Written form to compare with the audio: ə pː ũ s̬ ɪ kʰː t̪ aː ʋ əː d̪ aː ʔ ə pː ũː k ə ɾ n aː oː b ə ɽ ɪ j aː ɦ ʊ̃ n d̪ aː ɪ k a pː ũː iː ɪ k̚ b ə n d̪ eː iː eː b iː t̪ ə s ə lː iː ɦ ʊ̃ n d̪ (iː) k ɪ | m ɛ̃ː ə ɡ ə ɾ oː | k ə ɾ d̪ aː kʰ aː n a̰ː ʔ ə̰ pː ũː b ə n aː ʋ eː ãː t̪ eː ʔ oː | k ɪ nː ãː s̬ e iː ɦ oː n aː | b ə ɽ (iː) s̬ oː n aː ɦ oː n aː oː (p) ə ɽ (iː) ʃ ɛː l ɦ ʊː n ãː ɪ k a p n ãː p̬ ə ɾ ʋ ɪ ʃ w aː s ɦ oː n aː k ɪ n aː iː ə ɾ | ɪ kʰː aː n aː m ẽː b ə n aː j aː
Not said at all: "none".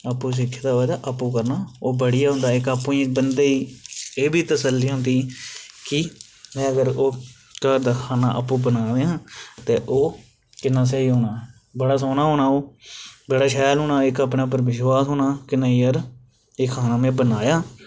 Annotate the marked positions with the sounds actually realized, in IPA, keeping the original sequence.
iː, aː, b, aː

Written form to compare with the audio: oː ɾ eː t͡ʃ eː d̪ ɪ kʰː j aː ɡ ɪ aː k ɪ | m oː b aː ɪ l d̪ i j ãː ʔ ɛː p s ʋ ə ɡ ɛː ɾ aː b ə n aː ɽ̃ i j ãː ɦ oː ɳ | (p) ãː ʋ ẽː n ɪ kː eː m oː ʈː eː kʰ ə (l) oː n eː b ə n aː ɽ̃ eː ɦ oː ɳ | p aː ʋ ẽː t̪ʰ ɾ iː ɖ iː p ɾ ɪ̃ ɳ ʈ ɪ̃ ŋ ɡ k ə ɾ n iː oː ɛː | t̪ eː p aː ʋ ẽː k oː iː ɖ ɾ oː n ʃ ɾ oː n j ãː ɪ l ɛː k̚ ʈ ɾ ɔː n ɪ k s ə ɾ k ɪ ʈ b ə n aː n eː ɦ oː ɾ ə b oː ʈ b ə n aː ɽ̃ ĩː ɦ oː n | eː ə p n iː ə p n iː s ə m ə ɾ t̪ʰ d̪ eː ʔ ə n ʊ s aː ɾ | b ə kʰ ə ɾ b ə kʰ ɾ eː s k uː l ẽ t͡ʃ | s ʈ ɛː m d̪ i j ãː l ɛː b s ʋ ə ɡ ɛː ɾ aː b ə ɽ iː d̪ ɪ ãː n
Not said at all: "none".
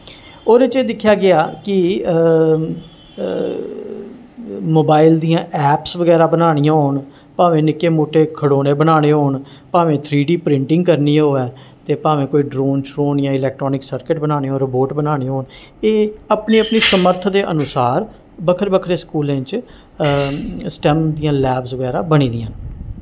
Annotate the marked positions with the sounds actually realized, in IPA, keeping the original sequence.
p, ɽ

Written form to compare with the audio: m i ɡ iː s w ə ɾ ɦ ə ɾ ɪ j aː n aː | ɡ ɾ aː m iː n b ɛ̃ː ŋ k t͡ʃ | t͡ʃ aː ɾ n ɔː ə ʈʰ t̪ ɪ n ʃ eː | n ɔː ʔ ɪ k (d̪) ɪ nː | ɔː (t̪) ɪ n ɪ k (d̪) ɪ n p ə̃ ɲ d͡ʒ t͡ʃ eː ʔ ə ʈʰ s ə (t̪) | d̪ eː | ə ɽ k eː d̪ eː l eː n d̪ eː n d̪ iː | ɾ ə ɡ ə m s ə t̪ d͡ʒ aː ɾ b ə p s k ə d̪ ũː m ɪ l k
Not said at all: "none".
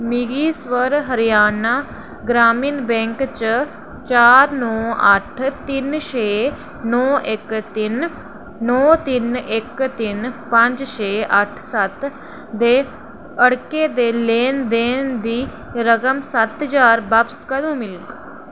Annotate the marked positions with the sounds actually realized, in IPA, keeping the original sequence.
t̪, t̪, t̪, t̪

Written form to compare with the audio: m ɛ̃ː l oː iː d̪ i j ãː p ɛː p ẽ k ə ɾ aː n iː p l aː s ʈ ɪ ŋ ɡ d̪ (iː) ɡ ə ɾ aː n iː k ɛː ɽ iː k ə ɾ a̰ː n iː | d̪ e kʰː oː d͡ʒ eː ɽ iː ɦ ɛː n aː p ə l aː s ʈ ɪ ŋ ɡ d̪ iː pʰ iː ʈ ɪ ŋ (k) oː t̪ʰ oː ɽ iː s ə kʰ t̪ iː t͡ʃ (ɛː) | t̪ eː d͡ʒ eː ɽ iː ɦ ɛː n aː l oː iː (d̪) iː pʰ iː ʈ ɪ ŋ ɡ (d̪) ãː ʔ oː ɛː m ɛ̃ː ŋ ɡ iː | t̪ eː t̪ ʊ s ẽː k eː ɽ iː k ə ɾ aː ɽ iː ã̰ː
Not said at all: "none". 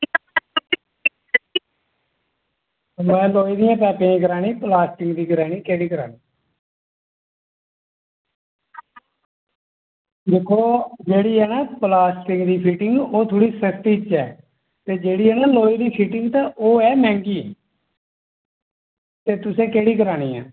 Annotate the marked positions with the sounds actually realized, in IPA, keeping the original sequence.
iː, ɡ, ɛː, d̪, t̪

